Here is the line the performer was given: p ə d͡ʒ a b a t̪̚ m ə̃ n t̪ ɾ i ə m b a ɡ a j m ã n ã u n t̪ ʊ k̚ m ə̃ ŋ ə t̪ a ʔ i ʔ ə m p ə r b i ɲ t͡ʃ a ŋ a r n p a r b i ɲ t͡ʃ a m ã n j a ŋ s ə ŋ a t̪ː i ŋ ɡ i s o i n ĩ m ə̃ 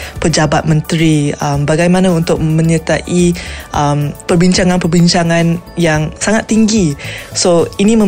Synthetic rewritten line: p ə d͡ʒ a b a t̪̚ m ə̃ n t̪ ɾ i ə m b a ɡ a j m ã n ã u n t̪ ʊ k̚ m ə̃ ɲ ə t̪ a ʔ i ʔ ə m p ə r b i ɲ t͡ʃ a ŋ a n p ə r b i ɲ t͡ʃ a ŋ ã n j a ŋ s a ŋ a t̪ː i ŋ ɡ i s o i n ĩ m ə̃